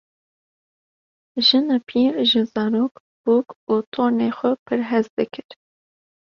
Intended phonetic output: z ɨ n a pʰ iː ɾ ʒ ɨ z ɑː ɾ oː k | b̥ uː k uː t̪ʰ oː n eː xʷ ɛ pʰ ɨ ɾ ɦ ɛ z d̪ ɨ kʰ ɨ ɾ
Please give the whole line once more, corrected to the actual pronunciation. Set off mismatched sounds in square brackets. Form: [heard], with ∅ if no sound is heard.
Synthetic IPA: [ʒ] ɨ n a pʰ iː ɾ ʒ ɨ z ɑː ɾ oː k | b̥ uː k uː t̪ʰ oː n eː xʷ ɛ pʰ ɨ ɾ ɦ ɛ z d̪ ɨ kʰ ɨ ɾ